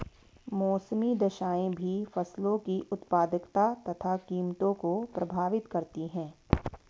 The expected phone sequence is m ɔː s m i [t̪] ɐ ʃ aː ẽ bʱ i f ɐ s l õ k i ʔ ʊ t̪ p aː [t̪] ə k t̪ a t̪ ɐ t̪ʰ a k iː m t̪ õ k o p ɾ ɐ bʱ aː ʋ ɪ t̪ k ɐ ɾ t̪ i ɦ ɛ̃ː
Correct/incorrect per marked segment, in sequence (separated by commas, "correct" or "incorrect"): incorrect, incorrect